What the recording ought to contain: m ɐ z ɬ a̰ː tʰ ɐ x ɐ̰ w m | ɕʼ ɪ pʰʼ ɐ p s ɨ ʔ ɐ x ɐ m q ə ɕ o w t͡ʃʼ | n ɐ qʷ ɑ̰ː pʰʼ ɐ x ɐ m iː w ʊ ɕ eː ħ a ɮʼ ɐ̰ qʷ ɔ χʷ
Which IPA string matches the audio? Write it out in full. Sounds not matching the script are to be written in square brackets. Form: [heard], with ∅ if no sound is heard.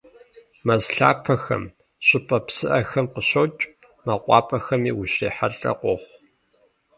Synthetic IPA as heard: m ɐ z ɬ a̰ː [pʰ] ɐ x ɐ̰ [∅] m | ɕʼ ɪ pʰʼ ɐ p s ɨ ʔ ɐ x ɐ m q ə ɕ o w t͡ʃʼ | [m] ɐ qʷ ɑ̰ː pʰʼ ɐ x ɐ m iː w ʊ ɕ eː ħ a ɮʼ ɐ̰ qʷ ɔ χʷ